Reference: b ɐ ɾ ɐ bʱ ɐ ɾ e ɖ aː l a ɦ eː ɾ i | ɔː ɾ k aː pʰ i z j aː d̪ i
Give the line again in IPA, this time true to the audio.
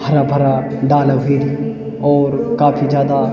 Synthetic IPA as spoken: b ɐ ɾ a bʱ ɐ ɾ a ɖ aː l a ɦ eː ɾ i | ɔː ɾ k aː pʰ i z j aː d̪ a